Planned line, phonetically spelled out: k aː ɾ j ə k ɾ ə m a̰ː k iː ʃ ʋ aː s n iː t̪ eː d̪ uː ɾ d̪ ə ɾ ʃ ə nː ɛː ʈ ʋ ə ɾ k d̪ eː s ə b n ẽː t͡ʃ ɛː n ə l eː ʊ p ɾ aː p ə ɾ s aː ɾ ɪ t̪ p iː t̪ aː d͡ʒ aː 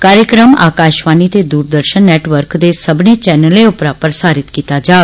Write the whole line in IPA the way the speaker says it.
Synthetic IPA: k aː ɾ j ə k ɾ ə m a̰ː k aː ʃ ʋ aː n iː t̪ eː d̪ uː ɾ d̪ ə ɾ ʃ ə nː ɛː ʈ ʋ ə ɾ k d̪ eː s ə b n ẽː t͡ʃ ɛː n ə l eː ʊ p ɾ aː p ə ɾ s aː ɾ ɪ t̪ k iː t̪ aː d͡ʒ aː

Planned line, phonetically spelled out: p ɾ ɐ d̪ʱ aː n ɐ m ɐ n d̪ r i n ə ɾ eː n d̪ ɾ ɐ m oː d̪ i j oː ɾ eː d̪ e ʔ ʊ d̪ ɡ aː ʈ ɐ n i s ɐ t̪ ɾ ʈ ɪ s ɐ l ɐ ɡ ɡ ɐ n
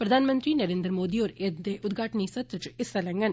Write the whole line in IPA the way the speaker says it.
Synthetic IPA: p ɾ ɐ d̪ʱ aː n ɐ m ɐ n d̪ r i n ɐ ɾ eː n d̪ ɾ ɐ m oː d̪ i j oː ɾ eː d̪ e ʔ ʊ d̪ ɡ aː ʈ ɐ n i s ɐ t̪ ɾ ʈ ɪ s ɐ l ɐ ŋ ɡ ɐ n

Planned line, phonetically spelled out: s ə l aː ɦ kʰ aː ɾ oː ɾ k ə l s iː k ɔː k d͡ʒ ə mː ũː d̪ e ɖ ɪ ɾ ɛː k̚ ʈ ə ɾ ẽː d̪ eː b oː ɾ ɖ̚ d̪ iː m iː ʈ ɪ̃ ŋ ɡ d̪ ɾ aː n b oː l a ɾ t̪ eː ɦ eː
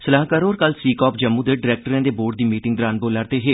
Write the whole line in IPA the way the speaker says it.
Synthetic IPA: s ə l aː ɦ k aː ɾ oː ɾ k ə l s iː k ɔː p d͡ʒ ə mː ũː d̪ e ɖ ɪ ɾ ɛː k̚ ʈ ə ɾ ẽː d̪ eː b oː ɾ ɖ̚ d̪ iː m iː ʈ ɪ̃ ŋ ɡ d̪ ɾ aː n b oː l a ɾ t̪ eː ɦ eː

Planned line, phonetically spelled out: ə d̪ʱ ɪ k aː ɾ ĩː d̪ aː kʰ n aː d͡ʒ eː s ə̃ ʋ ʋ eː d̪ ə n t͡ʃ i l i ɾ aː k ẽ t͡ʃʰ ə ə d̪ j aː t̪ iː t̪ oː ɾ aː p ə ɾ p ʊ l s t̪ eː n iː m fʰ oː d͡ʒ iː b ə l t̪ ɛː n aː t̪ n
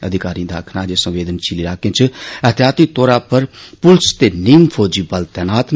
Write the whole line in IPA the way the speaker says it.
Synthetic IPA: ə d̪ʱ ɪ k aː ɾ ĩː d̪ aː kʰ n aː d͡ʒ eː s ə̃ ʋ ʋ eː d̪ ə n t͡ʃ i l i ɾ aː k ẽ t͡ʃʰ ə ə t̪ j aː t̪ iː t̪ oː ɾ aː p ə ɾ p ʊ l s t̪ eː n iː m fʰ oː d͡ʒ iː b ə l t̪ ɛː n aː t̪ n

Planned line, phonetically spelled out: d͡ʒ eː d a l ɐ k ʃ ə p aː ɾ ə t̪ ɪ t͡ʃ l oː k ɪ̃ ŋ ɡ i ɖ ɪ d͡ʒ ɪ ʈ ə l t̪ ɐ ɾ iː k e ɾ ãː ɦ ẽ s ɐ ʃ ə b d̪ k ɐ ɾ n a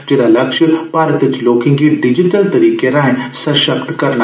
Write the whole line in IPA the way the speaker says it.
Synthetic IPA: d͡ʒ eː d a l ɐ k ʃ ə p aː ɾ ə t̪ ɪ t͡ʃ l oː k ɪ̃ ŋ ɡ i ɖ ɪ d͡ʒ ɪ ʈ ə l t̪ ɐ ɾ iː k e ɾ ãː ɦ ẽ s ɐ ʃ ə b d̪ k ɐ ɾ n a

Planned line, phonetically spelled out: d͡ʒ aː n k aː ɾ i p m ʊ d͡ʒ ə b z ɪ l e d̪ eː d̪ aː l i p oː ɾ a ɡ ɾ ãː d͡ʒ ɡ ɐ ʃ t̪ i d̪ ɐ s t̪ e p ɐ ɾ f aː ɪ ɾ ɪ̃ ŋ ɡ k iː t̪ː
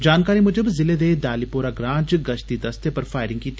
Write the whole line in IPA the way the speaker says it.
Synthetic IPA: d͡ʒ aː n k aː ɾ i m ʊ d͡ʒ ə b z ɪ l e d̪ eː d̪ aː l i p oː ɾ a ɡ ɾ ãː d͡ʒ ɡ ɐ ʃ t̪ i d̪ ɐ s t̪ e p ɐ ɾ f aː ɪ ɾ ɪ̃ ŋ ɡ k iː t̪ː

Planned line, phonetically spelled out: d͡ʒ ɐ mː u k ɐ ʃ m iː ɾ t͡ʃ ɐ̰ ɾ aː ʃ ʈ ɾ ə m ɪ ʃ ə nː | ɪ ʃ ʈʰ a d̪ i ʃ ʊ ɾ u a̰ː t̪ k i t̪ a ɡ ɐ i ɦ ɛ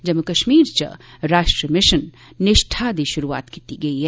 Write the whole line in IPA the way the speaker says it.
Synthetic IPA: d͡ʒ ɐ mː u k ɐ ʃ m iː ɾ t͡ʃ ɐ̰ ɾ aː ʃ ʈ ɾ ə m ɪ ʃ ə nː | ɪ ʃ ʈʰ a d̪ i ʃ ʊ ɾ u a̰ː t̪ k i t̪ i ɡ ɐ i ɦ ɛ

